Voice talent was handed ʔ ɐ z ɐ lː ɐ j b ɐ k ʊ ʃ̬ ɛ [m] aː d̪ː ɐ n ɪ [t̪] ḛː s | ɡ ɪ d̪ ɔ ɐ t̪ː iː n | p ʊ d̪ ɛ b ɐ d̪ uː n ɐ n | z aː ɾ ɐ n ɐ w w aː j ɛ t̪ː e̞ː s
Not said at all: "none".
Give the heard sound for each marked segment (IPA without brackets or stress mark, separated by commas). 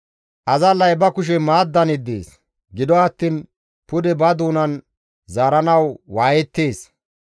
m, d̪